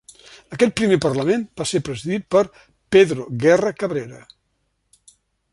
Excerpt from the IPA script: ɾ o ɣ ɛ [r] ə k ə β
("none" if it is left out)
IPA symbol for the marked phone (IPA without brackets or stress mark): r